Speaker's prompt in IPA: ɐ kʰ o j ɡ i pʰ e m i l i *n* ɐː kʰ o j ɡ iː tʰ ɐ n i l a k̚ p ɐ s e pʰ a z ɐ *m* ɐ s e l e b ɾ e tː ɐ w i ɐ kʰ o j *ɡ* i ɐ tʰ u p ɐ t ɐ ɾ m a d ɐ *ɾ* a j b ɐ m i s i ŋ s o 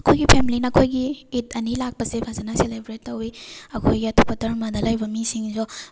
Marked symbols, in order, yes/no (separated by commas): yes, no, yes, no